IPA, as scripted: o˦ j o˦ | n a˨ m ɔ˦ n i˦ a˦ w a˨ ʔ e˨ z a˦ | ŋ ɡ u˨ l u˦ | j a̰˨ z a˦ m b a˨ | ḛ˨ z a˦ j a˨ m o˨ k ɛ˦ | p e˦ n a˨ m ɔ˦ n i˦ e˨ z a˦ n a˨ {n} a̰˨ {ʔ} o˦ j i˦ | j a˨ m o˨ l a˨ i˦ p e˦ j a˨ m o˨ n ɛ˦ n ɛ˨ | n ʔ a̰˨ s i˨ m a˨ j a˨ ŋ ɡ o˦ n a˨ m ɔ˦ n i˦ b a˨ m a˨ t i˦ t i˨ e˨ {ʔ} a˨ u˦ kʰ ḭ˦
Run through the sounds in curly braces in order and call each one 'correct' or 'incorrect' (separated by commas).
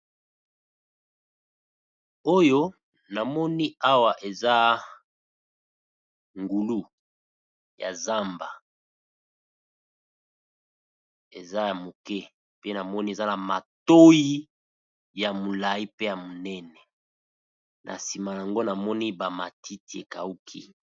incorrect, incorrect, incorrect